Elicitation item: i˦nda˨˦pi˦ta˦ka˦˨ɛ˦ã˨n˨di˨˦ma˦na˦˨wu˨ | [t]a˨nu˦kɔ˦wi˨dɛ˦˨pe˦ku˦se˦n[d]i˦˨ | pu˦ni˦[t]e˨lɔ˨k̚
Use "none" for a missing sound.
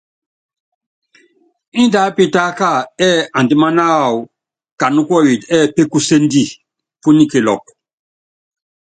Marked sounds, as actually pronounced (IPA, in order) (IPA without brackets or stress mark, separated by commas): k, d, k